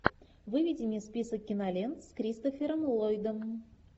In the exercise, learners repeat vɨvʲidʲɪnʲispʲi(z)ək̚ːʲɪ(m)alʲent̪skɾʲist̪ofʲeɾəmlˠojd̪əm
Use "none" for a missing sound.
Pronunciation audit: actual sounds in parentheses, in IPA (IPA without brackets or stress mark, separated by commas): s, n